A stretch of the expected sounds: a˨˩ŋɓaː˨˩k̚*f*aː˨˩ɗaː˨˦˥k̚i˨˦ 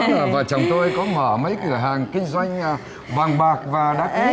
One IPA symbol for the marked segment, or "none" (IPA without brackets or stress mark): v